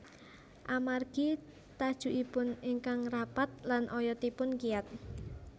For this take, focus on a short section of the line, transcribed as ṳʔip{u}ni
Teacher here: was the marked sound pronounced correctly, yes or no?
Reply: no